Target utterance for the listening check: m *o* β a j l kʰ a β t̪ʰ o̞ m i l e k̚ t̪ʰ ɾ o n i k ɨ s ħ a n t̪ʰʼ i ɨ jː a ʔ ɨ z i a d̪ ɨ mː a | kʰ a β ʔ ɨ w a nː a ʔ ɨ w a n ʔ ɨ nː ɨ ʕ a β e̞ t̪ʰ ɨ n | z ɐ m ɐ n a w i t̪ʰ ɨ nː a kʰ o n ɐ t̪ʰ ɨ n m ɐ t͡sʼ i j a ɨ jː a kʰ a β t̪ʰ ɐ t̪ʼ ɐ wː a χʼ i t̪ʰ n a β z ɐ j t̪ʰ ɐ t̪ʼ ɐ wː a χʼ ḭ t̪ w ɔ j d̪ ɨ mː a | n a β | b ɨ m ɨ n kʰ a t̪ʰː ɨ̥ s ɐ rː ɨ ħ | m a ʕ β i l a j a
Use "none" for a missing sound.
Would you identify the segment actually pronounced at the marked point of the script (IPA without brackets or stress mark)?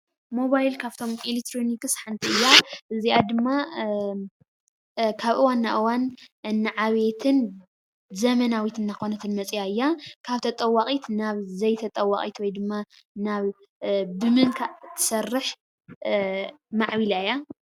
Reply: o